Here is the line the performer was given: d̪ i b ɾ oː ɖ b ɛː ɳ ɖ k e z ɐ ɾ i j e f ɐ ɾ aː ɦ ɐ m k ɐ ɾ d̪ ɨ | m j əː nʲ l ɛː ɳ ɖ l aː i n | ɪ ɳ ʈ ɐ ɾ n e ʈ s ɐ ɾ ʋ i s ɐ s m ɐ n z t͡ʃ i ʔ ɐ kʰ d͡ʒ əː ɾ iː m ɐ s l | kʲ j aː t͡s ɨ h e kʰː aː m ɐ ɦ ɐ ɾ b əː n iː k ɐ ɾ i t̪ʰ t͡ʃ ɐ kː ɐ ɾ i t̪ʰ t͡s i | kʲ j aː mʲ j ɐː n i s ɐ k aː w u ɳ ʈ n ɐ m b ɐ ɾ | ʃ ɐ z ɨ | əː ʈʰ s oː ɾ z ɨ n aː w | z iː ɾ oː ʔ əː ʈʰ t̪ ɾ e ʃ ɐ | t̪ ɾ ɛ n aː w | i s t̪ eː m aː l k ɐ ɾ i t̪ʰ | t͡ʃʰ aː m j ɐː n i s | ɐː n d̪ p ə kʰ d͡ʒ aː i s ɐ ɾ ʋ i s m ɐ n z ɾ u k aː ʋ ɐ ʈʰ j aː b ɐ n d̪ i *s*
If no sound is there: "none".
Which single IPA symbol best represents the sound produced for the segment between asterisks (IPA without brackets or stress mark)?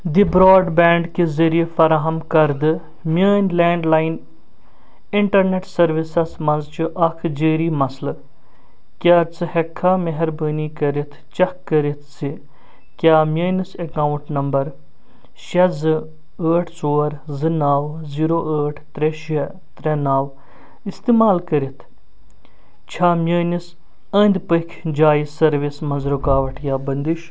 ʃ